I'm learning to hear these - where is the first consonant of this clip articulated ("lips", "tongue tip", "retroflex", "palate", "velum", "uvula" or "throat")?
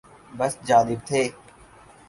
lips